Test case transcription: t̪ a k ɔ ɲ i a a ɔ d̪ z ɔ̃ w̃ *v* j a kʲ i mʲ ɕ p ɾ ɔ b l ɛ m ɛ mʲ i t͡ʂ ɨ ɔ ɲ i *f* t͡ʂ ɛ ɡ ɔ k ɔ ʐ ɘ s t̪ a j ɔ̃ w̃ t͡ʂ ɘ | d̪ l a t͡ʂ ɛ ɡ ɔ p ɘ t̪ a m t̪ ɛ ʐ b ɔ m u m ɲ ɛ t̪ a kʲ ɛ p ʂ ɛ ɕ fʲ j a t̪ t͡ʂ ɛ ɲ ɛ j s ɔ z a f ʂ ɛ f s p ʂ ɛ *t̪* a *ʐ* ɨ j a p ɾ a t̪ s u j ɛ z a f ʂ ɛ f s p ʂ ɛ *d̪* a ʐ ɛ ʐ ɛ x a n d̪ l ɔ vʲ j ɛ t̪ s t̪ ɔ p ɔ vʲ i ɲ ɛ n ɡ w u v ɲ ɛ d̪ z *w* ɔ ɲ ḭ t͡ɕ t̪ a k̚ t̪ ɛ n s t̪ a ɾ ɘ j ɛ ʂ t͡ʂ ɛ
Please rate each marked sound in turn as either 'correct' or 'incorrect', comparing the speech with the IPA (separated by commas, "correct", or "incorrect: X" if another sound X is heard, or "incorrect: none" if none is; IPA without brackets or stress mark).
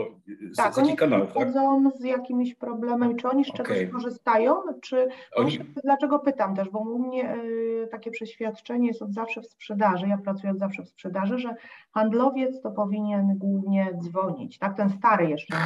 incorrect: z, incorrect: ʂ, incorrect: d̪, correct, correct, incorrect: v